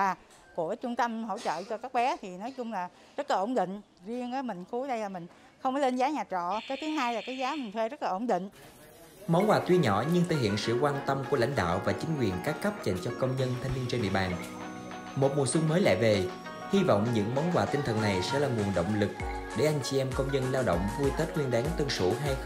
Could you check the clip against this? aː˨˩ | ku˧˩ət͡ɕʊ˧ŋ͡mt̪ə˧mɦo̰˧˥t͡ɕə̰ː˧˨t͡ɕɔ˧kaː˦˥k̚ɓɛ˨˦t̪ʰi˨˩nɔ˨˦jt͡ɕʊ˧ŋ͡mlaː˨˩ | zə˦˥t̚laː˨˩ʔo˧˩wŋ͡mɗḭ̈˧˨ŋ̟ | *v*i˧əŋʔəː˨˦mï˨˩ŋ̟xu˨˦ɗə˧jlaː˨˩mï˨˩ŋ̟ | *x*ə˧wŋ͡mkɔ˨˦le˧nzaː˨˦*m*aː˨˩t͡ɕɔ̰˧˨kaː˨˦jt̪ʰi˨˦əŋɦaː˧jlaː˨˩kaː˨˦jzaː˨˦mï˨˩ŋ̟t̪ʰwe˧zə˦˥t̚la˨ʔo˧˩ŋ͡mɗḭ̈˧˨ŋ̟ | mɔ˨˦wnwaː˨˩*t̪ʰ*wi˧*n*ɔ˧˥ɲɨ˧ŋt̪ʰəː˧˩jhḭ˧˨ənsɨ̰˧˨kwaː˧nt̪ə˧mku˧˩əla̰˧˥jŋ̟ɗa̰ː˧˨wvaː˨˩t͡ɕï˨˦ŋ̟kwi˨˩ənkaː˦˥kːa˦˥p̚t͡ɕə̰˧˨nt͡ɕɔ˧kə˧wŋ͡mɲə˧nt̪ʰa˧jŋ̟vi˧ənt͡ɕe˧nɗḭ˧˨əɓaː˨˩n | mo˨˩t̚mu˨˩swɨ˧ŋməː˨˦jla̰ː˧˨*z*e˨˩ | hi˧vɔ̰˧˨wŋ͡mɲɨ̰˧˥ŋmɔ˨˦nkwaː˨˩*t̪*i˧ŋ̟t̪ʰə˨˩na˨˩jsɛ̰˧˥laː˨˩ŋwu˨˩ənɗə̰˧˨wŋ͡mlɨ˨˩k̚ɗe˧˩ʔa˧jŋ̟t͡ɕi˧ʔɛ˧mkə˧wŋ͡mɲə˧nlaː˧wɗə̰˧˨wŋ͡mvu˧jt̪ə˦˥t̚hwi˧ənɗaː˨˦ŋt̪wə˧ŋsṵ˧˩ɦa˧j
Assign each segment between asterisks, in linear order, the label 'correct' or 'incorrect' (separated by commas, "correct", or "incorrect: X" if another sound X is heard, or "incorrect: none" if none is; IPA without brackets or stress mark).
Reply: incorrect: z, correct, incorrect: ɲ, incorrect: t̪, incorrect: ɲ, incorrect: v, correct